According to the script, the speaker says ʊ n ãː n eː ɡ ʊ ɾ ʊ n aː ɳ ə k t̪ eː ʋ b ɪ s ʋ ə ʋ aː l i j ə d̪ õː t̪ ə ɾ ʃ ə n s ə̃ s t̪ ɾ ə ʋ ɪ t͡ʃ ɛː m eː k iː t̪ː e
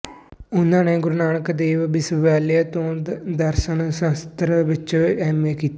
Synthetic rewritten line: ʊ n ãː n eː ɡ ʊ ɾ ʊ n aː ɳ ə k d̪ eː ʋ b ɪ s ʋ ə ʋ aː l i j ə t̪ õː d̪ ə ɾ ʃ ə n s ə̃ s t̪ ɾ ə ʋ ɪ t͡ʃ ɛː m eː k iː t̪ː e